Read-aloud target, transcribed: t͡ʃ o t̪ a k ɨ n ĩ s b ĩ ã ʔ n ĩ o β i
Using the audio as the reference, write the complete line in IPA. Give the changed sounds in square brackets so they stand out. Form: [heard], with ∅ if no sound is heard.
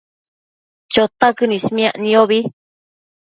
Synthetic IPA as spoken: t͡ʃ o t̪ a k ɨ n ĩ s [m] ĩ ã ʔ n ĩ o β i